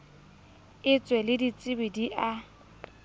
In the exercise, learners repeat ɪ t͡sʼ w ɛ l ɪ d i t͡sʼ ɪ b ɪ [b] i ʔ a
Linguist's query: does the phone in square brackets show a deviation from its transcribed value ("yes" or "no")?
yes